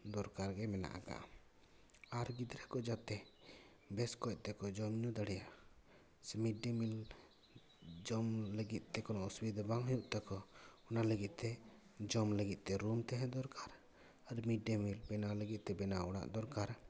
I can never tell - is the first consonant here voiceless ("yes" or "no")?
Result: no